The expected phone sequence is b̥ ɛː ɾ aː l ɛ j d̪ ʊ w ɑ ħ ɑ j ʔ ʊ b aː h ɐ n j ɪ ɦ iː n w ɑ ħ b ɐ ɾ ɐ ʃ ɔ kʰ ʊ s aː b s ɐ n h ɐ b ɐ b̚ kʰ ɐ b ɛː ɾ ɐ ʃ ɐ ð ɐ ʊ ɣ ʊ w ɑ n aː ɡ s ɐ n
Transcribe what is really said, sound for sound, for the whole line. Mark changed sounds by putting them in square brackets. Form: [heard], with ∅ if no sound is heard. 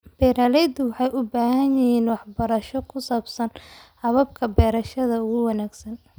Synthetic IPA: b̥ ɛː ɾ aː l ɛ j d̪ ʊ w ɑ ħ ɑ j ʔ ʊ b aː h ɐ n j ɪ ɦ iː n w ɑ ħ b ɐ ɾ ɐ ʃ ɔ kʰ ʊ s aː b s ɐ n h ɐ [β] ɐ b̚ kʰ ɐ b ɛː ɾ ɐ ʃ ɐ ð ɐ ʊ ɣ ʊ w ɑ n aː ɡ s ɐ n